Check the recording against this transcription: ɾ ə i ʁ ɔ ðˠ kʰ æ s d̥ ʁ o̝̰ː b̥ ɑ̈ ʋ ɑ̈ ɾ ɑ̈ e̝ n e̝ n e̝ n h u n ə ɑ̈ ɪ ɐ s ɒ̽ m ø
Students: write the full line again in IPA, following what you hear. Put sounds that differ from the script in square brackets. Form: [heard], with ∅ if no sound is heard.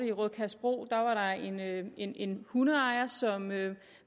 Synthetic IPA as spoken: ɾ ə i ʁ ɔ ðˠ kʰ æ s [b̥] ʁ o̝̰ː [d̥] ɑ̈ ʋ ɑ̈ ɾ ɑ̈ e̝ n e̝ n e̝ n h u n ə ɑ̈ ɪ ɐ s ɒ̽ m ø